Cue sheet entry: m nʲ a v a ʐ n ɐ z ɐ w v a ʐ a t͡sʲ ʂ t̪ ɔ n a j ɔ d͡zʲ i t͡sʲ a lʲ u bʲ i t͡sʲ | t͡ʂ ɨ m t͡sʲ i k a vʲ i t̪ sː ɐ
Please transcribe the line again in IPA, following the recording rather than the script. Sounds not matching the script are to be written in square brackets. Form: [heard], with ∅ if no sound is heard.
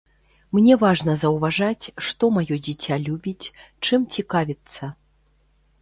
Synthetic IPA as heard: m nʲ [ɛ] v a ʐ n ɐ z ɐ w v a ʐ a t͡sʲ ʂ t̪ ɔ [m] a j ɔ d͡zʲ i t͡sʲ a lʲ u bʲ i t͡sʲ | t͡ʂ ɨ m t͡sʲ i k a vʲ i t̪ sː ɐ